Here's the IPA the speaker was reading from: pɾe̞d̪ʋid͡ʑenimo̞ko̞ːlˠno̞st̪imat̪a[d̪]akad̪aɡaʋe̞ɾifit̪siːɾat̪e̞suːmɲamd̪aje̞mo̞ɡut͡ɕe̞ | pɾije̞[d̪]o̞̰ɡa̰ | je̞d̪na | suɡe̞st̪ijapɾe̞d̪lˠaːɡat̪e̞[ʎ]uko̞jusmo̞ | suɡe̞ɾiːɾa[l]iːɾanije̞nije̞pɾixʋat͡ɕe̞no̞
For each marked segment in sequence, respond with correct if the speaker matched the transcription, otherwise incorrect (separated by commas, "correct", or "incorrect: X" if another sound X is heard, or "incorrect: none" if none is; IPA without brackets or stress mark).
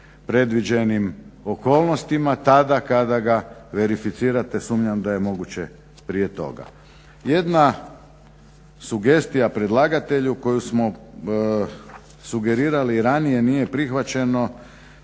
correct, incorrect: t̪, correct, correct